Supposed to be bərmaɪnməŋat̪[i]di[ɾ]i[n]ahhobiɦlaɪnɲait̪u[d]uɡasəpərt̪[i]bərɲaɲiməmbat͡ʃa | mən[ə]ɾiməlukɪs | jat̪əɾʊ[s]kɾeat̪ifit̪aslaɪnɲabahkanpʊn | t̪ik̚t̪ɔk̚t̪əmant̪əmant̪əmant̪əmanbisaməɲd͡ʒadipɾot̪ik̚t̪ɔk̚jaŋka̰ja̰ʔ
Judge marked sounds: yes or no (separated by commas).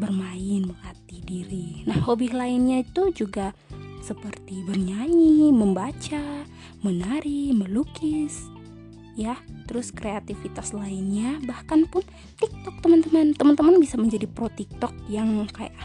yes, yes, yes, no, yes, no, yes